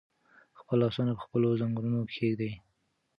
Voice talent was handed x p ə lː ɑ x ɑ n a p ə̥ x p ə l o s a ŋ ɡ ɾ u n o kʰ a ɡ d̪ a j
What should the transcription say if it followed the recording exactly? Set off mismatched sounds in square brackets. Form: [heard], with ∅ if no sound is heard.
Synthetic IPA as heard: x p ə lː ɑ [s] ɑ n a p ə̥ x p ə l o [z] a ŋ ɡ ɾ u n o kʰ [e] ɡ d̪ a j

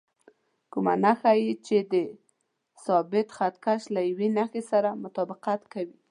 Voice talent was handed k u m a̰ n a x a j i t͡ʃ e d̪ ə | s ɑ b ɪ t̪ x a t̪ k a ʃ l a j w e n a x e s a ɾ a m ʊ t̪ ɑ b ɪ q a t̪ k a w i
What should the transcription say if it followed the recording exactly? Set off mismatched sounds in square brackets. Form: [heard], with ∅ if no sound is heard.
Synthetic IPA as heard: k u m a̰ n a x a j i t͡ʃ e d̪ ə | s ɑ b ɪ t̪ x a t̪ k a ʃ l a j w e n a x e s a ɾ a m ʊ t̪ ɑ b ɪ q a t̪ k a w i

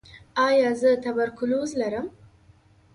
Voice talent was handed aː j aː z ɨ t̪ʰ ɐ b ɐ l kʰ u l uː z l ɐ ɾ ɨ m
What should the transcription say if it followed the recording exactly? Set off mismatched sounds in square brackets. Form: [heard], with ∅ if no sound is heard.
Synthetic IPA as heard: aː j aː z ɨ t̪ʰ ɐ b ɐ [ɾ] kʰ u l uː z l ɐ ɾ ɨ m

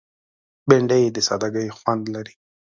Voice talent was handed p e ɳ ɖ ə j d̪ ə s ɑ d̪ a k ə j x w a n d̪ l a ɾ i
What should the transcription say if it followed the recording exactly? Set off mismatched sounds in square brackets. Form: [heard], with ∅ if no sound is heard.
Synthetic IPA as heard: [b] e ɳ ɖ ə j d̪ ə s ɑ d̪ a [ɡ] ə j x w a n d̪ l a ɾ i

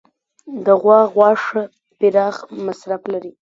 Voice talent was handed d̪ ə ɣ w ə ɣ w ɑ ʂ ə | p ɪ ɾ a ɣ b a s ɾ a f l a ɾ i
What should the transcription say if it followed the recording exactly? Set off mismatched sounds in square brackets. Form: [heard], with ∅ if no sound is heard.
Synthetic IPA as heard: d̪ ə ɣ w [ɑ] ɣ w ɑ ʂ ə | p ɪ ɾ [ɑ] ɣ [m] a s ɾ a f l a ɾ i

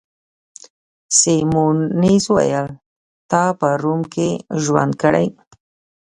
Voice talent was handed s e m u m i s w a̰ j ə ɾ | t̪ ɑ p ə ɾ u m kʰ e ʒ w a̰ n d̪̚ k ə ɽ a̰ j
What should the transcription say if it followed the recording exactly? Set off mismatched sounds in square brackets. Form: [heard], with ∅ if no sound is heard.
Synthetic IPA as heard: s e m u [n] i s w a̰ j ə [l] | t̪ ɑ p ə ɾ u m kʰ e ʒ w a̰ n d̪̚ k ə ɽ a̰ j

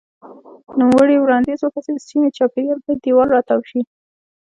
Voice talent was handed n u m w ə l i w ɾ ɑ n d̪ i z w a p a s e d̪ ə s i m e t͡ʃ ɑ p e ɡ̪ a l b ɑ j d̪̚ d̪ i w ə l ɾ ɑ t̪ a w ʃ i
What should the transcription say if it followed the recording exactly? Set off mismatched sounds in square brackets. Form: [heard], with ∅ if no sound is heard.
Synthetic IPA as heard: n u m w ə [ɽ] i w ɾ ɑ n d̪ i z w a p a s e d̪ ə s i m e t͡ʃ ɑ p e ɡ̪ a l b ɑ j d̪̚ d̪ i w [ɑ] l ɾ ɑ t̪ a w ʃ i

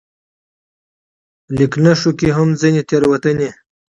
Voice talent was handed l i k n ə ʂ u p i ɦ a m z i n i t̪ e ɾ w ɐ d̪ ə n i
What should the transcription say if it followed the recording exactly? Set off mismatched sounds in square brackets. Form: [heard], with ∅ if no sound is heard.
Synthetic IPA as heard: l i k n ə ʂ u [k] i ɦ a m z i n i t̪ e ɾ w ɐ [t̪] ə n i

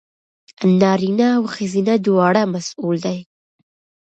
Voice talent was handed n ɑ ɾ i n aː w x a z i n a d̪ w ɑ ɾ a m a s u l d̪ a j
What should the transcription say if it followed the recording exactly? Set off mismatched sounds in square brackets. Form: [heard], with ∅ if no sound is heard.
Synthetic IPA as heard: n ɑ ɾ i n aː w x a z i n a d̪ w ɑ [ɽ] a m a s u l d̪ a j

